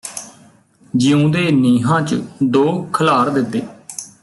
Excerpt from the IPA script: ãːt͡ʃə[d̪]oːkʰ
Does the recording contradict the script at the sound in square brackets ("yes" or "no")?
no